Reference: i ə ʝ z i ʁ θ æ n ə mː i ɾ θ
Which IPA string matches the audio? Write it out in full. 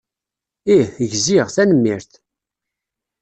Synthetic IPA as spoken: i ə ʝ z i ʁ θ æ n ə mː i ɾ θ